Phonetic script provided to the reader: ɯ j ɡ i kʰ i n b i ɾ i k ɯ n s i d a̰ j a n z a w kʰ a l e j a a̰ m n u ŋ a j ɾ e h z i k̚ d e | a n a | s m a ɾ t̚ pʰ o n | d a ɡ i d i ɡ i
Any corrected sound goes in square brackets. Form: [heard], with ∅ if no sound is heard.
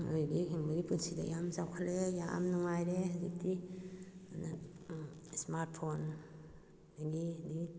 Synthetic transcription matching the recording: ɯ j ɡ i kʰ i [ŋ] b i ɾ i [p] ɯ n s i d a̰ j a [m] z a w kʰ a l e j a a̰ m n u ŋ a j ɾ e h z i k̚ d [i] | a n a | s m a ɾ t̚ pʰ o n | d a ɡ i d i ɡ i